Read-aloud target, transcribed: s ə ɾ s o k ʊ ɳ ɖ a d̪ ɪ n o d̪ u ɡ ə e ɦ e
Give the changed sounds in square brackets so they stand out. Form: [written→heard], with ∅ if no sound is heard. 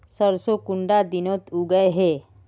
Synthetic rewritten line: s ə ɾ s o k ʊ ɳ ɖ a d̪ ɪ n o [d̪→t̪] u ɡ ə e ɦ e

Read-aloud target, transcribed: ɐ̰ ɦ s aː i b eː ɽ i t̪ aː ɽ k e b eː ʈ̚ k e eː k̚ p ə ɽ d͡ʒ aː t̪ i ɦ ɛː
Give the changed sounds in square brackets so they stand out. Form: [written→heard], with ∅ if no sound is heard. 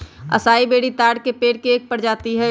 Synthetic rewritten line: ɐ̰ [ɦ→∅] s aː i b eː ɽ i t̪ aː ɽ k e [b→p] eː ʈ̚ k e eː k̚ p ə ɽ d͡ʒ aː t̪ i ɦ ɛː

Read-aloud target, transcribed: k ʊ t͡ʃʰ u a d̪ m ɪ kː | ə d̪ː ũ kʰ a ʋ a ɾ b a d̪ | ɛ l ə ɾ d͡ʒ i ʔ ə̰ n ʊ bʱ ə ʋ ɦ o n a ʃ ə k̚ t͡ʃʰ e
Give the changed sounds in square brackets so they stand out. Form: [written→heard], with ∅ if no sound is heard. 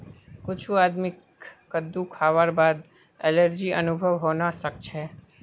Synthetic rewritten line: k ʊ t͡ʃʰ u a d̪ m ɪ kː | ə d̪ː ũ kʰ a ʋ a ɾ b a d̪ | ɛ l ə ɾ d͡ʒ i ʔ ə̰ n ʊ bʱ ə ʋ ɦ o n a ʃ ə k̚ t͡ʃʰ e

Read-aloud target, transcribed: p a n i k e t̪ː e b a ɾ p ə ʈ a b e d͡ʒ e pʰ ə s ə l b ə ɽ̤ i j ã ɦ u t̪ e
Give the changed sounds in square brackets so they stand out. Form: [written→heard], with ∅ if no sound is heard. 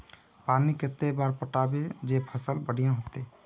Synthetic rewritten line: p a n i k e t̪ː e b a ɾ p ə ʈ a b e d͡ʒ e pʰ ə s ə l b ə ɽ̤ i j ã ɦ [u→o] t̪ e

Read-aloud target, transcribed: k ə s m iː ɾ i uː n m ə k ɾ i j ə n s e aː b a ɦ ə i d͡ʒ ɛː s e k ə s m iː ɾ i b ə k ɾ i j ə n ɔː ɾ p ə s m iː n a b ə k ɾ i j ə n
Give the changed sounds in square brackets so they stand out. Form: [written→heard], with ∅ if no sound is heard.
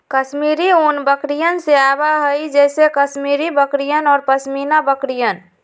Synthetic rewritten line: k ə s m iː ɾ i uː n [m→b] ə k ɾ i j ə n s e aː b a ɦ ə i d͡ʒ ɛː s e k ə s m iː ɾ i b ə k ɾ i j ə n ɔː ɾ p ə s m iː n a b ə k ɾ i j ə n

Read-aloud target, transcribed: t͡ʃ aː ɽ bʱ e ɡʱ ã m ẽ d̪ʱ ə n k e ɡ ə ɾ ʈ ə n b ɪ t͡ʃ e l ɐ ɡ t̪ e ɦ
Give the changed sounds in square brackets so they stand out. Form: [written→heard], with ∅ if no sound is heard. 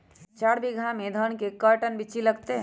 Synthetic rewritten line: t͡ʃ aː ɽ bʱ [e→i] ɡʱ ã m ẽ d̪ʱ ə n k e [ɡ→k] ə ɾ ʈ ə n b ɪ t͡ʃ [e→i] l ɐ ɡ t̪ e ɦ

